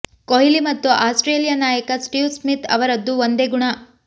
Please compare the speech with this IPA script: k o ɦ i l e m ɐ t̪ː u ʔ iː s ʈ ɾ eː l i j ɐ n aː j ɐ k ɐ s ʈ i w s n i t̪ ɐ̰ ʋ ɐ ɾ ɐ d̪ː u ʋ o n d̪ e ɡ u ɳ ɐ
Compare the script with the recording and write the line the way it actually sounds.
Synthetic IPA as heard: k o ɦ i l i m ɐ t̪ː u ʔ aː s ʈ ɾ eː l i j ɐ n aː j ɐ k ɐ s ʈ i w s m i t̪ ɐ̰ ʋ ɐ ɾ ɐ d̪ː u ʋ o n d̪ e ɡ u ɳ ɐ